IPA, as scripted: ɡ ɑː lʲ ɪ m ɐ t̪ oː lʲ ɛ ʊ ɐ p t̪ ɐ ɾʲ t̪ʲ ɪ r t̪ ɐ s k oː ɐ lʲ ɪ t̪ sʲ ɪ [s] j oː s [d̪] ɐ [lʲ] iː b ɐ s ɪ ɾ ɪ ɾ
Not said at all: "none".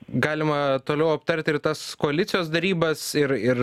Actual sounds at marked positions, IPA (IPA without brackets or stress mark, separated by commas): none, d̪, ɾʲ